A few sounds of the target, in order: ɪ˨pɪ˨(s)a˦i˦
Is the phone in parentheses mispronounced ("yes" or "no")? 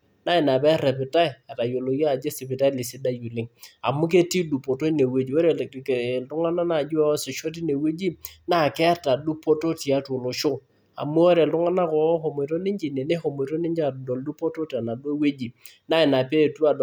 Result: yes